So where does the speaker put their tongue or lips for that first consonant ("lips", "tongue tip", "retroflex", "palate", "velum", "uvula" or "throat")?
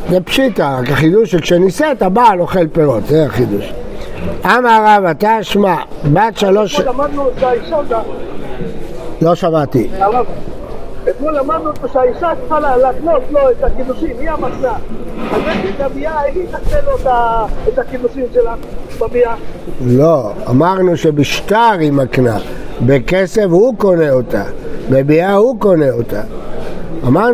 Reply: tongue tip